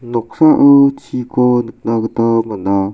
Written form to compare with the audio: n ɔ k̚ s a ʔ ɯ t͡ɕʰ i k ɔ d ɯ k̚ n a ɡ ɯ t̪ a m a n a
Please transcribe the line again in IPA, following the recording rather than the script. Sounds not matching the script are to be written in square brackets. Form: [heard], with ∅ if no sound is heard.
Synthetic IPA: n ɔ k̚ s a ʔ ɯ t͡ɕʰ i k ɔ [n] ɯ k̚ n a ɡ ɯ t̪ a m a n a